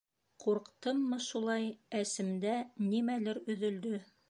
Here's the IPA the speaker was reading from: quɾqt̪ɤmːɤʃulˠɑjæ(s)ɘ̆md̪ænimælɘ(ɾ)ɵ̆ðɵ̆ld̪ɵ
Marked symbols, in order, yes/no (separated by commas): yes, yes